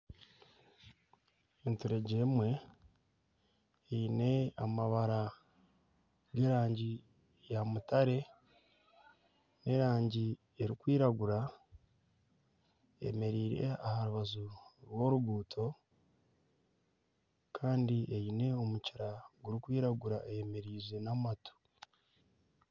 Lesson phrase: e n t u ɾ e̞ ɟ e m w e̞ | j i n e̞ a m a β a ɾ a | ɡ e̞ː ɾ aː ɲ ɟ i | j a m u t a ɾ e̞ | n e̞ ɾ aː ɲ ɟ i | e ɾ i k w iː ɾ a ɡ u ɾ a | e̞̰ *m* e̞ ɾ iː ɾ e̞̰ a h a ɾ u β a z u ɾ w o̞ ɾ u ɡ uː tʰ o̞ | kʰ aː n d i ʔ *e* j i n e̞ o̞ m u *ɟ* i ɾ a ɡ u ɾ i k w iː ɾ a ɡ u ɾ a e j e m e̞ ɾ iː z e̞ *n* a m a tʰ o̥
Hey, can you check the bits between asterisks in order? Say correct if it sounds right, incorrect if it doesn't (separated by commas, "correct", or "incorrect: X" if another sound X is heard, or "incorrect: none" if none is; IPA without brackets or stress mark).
correct, correct, incorrect: c, correct